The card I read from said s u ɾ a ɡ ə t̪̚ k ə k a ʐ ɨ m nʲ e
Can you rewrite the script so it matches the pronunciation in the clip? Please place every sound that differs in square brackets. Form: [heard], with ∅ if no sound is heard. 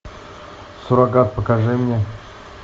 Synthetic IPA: s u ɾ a ɡ [a] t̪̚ [p] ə k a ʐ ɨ m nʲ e